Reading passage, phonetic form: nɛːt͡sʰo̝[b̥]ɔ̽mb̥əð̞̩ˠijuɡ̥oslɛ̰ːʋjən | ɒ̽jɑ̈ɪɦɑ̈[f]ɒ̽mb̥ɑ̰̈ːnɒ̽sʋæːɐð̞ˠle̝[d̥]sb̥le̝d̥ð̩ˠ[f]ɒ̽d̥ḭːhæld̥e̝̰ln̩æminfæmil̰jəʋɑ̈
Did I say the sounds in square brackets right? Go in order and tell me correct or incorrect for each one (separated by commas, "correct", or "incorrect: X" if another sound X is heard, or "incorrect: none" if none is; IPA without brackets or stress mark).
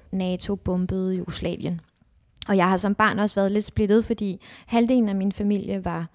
correct, incorrect: s, correct, correct